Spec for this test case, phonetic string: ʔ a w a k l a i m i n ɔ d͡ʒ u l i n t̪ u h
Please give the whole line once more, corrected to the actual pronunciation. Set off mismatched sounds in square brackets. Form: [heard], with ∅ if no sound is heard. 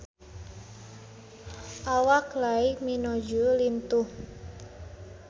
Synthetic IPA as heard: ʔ a w a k l a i m i n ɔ d͡ʒ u l i n t̪ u h